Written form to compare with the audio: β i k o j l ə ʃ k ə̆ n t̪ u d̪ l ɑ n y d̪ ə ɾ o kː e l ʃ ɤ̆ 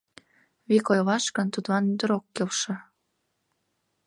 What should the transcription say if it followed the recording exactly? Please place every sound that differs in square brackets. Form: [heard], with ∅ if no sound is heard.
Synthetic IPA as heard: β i k o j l [ɑ] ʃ k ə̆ n t̪ u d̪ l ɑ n y d̪ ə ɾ o kː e l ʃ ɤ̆